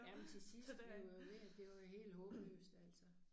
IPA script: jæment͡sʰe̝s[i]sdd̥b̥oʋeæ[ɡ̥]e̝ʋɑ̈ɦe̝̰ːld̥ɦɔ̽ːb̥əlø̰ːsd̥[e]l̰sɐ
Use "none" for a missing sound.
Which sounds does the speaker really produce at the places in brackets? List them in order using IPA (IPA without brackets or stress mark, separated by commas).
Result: i, d̥, æ